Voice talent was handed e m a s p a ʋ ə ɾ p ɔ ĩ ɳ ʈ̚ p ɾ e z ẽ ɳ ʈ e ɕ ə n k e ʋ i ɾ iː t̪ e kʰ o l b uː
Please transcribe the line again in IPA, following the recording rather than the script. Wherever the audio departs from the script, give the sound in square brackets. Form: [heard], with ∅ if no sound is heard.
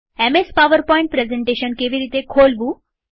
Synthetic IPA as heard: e m [e] s p a ʋ ə ɾ p ɔ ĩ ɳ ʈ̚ p ɾ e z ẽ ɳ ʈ e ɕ ə n k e ʋ i ɾ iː t̪ e kʰ o l b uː